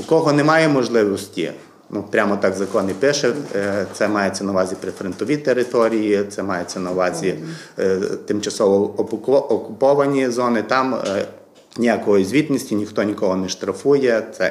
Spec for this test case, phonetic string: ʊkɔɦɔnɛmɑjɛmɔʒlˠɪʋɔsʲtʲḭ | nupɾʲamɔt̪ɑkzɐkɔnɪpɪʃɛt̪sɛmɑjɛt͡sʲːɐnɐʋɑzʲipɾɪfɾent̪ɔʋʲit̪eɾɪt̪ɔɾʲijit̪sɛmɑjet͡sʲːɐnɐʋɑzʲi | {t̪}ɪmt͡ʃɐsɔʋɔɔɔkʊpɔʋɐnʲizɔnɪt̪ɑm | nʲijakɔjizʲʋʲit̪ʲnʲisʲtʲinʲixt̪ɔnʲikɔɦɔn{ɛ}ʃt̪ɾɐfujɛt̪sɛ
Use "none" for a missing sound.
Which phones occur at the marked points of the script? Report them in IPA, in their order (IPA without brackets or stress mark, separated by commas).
t̪, ɛ